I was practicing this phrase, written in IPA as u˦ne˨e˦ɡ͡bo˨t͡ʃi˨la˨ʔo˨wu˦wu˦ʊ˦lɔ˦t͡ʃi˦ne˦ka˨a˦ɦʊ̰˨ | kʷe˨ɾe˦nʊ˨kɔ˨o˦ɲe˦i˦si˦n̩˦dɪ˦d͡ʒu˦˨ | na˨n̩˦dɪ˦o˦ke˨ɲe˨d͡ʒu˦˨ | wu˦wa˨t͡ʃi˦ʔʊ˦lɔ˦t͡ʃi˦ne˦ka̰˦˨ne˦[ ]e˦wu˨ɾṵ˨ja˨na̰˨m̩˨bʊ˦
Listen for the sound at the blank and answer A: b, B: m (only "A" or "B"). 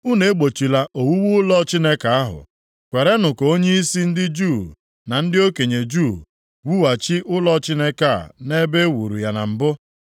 A